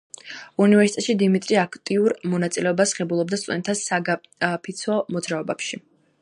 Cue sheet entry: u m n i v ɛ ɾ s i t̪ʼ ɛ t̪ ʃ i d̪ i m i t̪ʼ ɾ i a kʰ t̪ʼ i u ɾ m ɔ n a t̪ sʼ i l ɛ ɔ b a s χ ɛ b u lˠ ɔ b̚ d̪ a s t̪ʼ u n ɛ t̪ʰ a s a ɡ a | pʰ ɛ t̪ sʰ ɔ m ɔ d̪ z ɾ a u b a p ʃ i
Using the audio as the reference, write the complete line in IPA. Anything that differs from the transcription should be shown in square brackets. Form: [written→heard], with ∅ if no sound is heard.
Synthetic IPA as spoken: u [m→∅] n i v ɛ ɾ s i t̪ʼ ɛ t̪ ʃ i d̪ i m i t̪ʼ ɾ i a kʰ t̪ʼ i u ɾ m ɔ n a t̪ sʼ i l ɛ ɔ b a s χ ɛ b u lˠ ɔ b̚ d̪ a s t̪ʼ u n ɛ t̪ʰ a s a ɡ a | pʰ [ɛ→i] t̪ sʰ ɔ m ɔ d̪ z ɾ a [u→ɔ] b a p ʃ i